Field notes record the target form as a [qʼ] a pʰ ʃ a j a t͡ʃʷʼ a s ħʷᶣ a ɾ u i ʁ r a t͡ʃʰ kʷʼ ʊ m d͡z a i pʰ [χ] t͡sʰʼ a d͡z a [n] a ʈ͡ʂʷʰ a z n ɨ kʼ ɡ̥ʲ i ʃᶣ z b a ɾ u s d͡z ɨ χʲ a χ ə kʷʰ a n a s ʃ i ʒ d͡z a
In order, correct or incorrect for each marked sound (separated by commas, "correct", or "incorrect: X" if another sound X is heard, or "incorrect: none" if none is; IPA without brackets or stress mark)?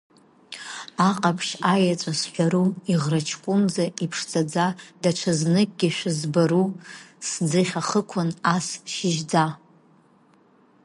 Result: correct, incorrect: ʂ, incorrect: d